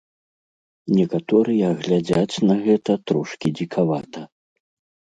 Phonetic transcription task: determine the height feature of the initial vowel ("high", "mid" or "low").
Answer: mid